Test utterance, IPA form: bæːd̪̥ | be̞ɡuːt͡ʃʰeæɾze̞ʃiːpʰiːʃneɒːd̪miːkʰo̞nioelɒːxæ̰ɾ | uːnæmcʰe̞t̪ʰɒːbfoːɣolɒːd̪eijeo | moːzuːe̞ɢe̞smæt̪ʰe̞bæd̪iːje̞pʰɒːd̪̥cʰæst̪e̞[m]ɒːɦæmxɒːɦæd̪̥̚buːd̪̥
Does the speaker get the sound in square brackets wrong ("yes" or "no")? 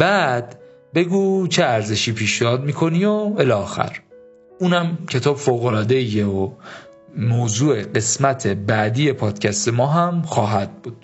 no